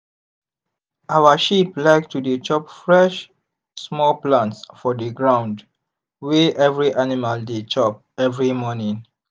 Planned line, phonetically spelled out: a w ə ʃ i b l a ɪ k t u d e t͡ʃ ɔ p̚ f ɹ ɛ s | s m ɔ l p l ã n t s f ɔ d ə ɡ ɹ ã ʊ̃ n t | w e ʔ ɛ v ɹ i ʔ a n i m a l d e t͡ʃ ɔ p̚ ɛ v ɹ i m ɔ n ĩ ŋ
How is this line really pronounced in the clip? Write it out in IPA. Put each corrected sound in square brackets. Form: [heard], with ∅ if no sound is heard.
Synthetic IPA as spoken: a w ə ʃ i [p] l a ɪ k t u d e t͡ʃ ɔ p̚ f ɹ ɛ [ʃ] | s m ɔ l p l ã n t s f ɔ d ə ɡ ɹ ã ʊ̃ n [d] | w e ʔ ɛ v ɹ i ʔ a n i m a l d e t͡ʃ ɔ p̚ ɛ v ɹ i m ɔ n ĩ ŋ